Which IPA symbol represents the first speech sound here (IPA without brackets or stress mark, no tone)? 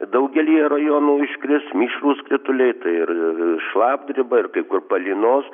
d̪